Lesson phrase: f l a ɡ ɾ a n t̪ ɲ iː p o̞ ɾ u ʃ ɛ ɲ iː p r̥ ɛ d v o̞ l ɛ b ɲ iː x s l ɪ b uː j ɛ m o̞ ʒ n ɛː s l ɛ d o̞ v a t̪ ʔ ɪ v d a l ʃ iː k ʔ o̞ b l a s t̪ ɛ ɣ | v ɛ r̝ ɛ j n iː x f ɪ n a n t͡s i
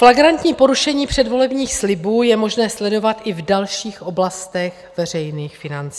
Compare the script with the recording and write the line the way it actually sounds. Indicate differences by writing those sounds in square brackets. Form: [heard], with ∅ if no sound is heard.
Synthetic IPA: f l a ɡ ɾ a n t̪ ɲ iː p o̞ ɾ u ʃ ɛ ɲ iː p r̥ ɛ d v o̞ l ɛ b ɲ iː x s l ɪ b uː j ɛ m o̞ ʒ n ɛː s l ɛ d o̞ v a t̪ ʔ ɪ v d a l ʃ iː [x] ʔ o̞ b l a s t̪ ɛ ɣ | v ɛ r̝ ɛ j n iː x f ɪ n a n t͡s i